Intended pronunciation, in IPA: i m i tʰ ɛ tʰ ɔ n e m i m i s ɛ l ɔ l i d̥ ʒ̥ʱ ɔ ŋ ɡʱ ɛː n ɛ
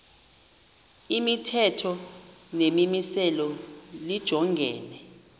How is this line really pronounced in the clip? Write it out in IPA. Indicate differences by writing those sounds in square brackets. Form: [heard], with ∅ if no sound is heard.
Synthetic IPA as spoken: i m i tʰ ɛ tʰ ɔ n e m i m i s ɛ l ɔ l i d̥ ʒ̥ʱ ɔ ŋ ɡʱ ɛː n ɛ